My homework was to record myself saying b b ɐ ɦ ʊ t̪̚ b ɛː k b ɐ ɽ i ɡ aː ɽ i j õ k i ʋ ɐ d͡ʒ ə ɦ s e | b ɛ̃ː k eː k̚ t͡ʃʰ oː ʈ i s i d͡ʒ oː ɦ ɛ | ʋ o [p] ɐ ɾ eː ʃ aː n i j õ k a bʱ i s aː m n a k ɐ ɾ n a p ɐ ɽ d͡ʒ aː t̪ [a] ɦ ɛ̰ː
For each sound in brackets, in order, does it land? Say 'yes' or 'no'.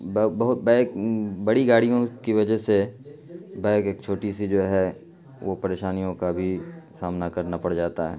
yes, yes

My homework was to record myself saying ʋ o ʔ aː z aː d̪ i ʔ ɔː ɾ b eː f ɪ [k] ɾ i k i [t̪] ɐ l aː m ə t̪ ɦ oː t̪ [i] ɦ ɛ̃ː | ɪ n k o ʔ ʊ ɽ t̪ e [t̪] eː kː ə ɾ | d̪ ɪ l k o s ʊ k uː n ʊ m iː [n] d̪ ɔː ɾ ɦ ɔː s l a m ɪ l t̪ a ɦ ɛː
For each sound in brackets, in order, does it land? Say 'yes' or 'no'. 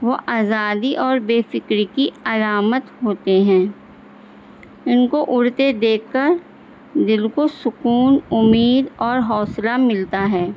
yes, no, no, no, no

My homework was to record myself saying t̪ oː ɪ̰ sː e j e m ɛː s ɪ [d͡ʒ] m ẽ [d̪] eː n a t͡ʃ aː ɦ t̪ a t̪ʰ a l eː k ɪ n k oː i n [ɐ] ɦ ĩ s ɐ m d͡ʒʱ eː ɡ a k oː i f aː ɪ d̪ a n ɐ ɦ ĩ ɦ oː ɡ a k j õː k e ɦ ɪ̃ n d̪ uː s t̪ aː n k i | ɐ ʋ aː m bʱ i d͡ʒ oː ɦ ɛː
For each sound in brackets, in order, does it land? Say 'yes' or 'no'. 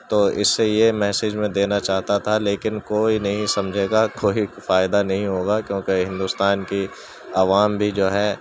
yes, yes, yes

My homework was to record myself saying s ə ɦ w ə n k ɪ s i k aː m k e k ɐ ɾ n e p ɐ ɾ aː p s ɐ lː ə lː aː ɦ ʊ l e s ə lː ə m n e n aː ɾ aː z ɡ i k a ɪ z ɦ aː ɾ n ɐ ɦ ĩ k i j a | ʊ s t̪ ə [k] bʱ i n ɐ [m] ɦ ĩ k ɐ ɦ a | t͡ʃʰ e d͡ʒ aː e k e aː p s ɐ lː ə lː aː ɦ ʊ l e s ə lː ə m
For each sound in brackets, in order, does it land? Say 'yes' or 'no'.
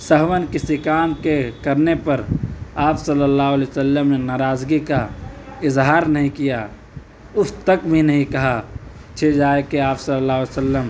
yes, no

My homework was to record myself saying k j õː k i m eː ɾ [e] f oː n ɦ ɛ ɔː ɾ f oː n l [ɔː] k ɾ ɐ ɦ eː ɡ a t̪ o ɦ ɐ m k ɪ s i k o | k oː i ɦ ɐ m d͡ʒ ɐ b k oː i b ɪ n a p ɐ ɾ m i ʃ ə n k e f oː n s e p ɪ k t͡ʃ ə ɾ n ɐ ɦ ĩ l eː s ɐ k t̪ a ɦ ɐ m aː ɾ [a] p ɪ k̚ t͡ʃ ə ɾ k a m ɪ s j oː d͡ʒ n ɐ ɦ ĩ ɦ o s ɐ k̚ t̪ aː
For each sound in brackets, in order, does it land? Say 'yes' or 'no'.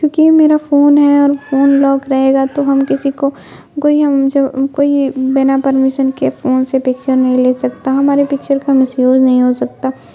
no, yes, no

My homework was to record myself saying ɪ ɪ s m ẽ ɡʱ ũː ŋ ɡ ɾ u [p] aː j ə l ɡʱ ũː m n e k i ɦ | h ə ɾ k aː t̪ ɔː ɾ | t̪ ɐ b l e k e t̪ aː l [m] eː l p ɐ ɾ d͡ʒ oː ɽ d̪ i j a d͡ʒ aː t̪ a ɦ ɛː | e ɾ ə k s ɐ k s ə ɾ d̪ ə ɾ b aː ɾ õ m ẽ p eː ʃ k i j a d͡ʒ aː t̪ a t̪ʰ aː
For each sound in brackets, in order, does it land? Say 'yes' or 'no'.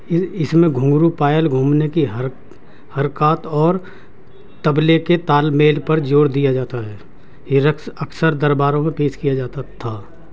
yes, yes

